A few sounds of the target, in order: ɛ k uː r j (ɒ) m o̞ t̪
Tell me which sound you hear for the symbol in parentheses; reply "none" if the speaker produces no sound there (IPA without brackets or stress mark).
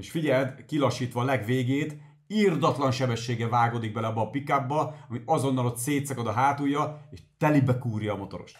ɒː